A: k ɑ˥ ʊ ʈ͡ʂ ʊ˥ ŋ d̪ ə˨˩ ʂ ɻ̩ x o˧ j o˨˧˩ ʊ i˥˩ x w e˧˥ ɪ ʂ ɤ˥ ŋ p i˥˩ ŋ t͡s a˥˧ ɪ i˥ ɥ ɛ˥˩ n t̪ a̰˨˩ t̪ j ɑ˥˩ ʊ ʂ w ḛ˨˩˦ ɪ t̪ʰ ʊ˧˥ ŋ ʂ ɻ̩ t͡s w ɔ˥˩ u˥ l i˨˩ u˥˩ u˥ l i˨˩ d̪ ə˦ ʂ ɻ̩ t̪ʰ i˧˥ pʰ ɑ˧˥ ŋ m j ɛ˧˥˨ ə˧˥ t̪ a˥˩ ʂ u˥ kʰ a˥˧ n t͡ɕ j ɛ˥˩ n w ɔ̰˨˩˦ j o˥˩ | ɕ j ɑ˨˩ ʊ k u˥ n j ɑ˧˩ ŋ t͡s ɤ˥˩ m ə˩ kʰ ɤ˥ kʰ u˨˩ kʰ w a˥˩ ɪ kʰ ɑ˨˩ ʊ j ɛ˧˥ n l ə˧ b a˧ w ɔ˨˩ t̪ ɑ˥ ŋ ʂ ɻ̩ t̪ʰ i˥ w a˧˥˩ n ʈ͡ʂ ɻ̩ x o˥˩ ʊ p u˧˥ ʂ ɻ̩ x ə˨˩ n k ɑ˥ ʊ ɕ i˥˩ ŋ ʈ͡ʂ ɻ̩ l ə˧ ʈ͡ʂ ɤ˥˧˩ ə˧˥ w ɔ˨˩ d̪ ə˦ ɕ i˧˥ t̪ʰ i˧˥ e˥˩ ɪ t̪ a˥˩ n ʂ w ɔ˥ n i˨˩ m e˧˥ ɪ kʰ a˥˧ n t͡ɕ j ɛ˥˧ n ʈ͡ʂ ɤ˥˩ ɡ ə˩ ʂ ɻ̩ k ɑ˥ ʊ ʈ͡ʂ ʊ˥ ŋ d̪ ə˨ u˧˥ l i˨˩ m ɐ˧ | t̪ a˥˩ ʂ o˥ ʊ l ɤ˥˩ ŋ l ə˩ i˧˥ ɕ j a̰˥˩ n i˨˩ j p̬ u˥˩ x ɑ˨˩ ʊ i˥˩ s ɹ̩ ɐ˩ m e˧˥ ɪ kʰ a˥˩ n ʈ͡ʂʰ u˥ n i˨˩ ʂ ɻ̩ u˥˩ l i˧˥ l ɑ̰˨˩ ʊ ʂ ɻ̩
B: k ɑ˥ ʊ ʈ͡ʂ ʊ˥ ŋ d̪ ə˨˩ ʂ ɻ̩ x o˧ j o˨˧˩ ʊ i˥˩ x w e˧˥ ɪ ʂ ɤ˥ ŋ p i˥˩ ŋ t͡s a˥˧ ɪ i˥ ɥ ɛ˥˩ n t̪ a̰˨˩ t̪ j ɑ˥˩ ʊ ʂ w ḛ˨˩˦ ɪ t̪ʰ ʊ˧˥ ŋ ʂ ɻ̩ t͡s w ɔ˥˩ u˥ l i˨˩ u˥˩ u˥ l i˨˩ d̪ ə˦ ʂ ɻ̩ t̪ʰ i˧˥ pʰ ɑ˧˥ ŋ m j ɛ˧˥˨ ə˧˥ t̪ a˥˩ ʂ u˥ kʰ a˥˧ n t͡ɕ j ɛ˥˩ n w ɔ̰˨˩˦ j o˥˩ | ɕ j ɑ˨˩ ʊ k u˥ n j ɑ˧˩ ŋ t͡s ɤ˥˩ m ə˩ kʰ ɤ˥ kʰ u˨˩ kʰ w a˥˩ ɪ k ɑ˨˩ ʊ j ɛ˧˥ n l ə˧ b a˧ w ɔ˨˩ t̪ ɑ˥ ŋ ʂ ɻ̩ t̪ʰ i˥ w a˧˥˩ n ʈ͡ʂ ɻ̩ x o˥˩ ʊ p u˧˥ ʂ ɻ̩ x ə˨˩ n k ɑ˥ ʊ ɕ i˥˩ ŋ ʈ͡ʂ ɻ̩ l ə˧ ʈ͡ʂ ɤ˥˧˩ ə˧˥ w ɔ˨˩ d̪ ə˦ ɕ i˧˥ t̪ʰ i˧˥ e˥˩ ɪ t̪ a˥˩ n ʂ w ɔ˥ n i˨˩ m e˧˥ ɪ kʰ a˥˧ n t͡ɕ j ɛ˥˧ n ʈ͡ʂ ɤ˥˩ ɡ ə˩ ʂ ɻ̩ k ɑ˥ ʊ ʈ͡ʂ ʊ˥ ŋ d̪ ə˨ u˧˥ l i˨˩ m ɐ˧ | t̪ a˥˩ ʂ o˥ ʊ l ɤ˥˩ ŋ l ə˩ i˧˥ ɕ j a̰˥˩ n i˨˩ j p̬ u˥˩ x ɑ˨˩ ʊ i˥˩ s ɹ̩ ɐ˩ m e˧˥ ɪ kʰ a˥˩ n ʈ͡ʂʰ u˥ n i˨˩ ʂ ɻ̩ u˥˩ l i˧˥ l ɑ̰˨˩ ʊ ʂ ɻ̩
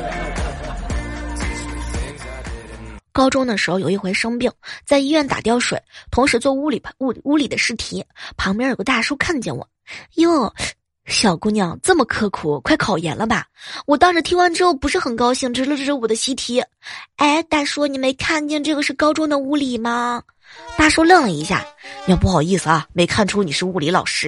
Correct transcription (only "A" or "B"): A